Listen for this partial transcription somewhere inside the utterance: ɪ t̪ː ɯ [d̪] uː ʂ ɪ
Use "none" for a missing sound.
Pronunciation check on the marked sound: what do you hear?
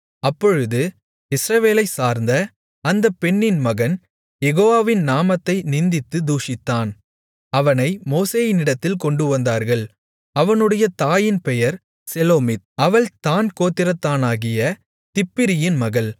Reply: d̪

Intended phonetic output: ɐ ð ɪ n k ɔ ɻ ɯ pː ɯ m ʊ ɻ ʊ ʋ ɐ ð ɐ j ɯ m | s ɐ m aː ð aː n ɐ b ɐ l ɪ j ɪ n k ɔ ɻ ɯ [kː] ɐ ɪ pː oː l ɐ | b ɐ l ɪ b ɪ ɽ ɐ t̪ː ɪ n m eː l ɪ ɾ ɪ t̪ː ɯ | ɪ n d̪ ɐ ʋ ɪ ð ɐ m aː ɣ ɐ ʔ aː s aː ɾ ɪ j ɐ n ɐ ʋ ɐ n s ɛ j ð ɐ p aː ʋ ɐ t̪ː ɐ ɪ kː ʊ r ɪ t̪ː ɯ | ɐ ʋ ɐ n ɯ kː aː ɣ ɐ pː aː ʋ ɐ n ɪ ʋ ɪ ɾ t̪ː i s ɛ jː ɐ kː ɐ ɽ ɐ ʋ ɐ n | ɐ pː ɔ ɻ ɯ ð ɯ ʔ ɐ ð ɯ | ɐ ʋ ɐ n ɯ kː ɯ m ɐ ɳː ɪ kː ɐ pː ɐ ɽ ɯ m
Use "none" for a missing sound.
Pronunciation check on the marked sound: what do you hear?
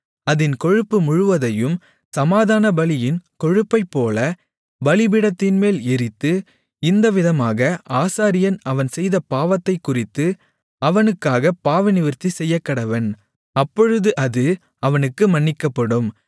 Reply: pː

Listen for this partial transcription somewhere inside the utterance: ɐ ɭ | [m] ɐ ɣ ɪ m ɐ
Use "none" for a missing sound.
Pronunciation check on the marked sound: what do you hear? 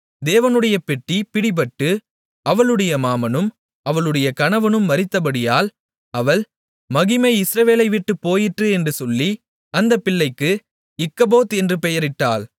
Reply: m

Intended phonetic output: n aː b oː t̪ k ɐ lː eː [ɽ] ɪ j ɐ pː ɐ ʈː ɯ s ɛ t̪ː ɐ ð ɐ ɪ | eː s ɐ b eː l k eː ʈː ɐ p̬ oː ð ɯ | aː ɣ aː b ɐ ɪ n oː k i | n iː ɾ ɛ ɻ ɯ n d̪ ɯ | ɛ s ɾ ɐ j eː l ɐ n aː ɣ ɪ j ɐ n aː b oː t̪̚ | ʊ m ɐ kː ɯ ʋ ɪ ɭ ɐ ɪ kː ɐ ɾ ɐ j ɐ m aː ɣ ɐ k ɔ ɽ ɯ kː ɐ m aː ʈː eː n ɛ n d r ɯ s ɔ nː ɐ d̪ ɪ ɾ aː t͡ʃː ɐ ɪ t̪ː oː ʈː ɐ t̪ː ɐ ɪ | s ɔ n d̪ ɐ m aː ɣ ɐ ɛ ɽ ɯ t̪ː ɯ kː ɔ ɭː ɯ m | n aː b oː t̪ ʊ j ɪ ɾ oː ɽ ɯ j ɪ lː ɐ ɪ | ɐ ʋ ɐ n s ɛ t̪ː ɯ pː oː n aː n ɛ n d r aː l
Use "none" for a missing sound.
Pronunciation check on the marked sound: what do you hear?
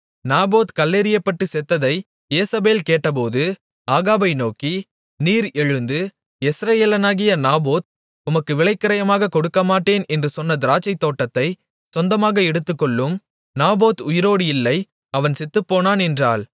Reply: ɾ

